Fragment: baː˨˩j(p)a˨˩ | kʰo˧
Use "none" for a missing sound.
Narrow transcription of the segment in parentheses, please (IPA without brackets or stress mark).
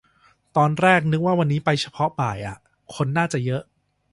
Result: ʔ